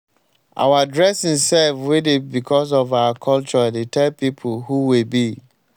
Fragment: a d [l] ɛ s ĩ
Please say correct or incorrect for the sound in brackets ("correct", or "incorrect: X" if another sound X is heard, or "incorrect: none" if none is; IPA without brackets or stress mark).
incorrect: ɹ